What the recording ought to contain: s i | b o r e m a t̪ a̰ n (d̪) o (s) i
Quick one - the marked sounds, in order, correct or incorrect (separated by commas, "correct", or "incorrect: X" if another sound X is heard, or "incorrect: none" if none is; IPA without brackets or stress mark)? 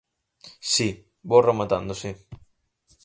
correct, correct